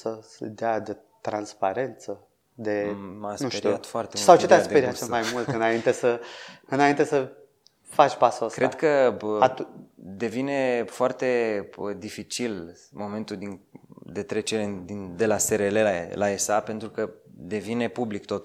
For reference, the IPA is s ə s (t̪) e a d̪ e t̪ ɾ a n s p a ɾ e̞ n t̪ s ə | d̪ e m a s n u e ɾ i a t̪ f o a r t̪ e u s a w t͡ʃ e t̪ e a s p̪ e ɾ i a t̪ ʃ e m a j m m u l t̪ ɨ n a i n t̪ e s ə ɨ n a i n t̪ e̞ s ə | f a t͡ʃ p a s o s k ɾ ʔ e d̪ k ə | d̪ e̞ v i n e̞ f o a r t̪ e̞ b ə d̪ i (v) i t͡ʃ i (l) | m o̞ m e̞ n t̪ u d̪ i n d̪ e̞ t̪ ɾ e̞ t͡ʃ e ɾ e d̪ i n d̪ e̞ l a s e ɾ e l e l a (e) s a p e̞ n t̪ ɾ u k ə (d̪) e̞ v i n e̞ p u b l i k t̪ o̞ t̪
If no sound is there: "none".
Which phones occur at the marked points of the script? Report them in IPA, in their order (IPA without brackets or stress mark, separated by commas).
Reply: d̪, f, l, e, d̪